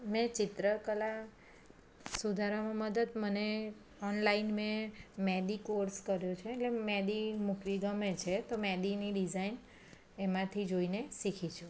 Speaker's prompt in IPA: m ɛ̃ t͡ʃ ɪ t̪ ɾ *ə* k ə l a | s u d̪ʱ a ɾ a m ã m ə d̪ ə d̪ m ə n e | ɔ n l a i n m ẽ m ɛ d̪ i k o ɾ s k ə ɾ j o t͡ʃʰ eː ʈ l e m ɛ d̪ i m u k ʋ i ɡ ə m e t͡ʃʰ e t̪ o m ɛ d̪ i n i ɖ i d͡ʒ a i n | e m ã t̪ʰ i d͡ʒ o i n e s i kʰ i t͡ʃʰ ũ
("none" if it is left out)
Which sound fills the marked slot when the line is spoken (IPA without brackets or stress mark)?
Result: ə